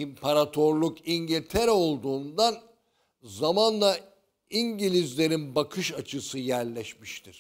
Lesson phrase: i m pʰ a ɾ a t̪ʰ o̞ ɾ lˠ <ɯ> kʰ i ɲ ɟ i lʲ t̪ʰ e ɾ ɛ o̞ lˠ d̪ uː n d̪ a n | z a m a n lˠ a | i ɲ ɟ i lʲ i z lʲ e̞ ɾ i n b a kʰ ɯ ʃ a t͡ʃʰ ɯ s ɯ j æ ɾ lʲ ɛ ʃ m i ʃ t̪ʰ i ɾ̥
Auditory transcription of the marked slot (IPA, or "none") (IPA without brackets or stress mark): u